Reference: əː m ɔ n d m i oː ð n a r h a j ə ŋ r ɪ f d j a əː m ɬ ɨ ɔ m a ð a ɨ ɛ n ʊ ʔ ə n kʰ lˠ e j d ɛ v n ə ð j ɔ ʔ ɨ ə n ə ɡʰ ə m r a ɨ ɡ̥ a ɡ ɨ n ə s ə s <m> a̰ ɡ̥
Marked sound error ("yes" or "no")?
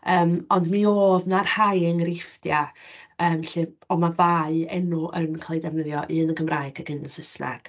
yes